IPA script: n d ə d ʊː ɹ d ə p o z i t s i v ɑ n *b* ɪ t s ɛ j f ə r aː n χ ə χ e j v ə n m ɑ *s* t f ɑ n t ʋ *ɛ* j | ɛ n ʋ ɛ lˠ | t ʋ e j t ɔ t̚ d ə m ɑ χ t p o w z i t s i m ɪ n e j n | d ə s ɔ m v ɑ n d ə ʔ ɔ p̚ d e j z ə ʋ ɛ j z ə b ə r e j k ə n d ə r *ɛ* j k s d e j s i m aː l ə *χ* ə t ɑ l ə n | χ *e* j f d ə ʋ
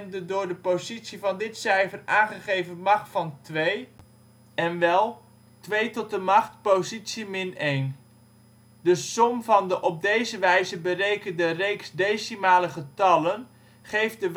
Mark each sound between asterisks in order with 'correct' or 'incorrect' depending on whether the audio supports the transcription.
incorrect: d, incorrect: χ, incorrect: e, incorrect: e, correct, correct

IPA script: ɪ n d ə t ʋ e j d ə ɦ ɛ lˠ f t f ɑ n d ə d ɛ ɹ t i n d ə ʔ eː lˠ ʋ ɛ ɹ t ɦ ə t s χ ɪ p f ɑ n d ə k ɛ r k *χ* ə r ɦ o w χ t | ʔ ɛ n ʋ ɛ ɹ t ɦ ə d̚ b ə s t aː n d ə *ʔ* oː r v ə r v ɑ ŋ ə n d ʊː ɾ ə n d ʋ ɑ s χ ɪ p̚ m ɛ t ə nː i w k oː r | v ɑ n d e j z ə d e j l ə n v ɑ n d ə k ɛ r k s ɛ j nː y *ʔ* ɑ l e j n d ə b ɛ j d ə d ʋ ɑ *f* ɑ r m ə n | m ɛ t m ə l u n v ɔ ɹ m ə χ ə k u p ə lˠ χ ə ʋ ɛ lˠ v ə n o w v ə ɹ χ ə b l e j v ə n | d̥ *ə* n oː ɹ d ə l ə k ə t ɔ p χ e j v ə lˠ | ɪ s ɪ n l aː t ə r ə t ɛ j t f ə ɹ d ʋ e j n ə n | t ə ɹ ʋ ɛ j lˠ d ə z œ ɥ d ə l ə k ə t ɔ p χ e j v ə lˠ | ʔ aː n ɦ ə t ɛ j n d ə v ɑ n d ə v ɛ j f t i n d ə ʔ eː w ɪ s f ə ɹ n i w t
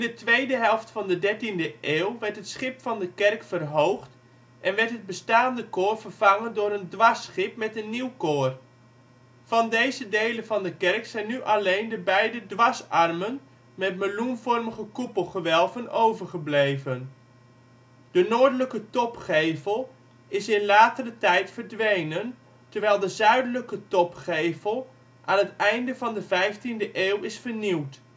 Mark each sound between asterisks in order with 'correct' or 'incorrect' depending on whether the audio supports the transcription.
incorrect: f, incorrect: k, correct, incorrect: s, correct

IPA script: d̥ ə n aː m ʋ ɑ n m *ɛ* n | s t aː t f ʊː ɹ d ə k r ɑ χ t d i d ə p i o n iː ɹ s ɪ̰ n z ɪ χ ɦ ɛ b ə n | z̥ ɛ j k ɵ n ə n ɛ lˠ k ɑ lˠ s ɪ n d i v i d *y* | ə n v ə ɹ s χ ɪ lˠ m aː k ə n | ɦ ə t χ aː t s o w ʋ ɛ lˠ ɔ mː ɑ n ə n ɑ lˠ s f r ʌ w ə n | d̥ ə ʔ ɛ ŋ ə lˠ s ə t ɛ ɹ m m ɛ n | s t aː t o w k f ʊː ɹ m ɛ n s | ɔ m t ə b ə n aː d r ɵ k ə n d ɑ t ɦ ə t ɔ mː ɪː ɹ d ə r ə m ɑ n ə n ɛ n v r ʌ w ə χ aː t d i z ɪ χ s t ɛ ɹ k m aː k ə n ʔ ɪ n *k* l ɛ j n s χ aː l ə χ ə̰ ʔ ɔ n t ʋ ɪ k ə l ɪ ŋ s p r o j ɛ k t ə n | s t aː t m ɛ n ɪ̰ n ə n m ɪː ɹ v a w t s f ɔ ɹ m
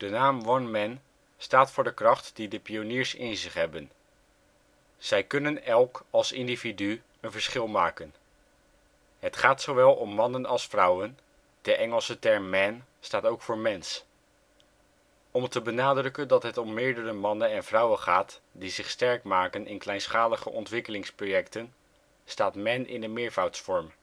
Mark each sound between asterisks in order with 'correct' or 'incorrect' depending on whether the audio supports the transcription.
correct, correct, correct

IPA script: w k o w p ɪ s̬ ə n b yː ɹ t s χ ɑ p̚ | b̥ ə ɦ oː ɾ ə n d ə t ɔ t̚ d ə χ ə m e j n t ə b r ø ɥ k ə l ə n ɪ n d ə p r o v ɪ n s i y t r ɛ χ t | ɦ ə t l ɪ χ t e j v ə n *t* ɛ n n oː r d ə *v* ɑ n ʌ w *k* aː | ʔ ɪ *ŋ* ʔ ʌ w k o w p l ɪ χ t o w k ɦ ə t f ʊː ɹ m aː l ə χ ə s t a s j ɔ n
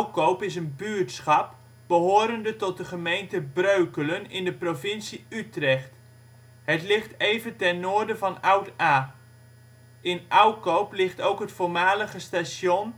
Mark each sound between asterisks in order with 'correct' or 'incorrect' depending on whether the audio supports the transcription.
correct, correct, incorrect: t, incorrect: n

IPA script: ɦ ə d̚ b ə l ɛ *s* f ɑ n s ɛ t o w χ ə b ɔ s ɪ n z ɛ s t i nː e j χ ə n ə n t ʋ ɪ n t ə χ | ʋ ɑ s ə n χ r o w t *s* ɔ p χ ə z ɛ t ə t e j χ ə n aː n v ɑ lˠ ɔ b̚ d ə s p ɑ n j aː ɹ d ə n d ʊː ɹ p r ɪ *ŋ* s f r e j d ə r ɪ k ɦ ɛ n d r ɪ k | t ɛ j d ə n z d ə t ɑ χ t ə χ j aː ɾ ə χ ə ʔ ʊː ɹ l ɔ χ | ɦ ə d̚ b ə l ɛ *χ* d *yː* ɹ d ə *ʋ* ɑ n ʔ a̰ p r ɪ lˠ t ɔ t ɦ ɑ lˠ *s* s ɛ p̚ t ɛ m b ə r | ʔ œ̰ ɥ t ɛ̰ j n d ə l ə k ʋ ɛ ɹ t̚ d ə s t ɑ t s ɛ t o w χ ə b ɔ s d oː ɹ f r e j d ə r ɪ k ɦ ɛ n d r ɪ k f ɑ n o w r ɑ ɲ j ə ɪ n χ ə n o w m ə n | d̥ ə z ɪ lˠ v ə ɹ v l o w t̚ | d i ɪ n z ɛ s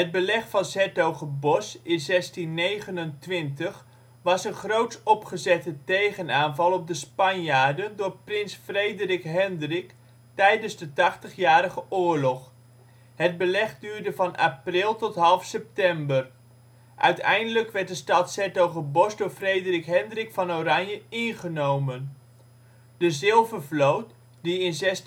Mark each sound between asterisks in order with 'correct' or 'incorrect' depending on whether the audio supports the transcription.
incorrect: χ, correct, incorrect: n, correct, correct, incorrect: v, incorrect: f

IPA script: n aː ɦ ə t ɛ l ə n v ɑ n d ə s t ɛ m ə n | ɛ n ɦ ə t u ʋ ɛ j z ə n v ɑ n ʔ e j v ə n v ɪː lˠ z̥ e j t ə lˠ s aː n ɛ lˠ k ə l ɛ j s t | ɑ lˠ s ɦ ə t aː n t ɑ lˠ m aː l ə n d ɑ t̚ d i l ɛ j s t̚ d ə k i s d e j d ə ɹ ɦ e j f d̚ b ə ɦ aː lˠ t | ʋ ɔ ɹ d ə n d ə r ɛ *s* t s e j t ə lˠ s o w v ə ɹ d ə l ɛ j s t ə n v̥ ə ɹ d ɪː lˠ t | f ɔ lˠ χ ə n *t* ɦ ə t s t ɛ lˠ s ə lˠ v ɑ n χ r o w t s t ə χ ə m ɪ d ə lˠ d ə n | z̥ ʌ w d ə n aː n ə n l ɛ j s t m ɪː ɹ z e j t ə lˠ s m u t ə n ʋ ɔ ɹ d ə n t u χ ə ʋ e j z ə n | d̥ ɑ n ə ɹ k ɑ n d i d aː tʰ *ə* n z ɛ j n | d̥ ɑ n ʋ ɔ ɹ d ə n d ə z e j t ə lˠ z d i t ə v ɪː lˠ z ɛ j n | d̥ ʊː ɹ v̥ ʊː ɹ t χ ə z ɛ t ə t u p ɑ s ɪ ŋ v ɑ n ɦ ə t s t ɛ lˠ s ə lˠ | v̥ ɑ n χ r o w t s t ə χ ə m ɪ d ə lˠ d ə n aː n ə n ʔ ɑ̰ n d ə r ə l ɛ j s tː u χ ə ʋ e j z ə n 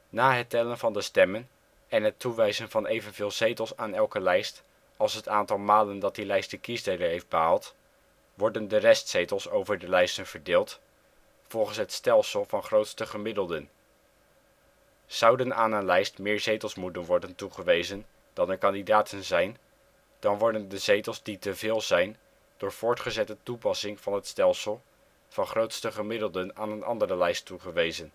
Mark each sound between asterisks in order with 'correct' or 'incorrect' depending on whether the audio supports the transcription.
correct, incorrect: s, correct

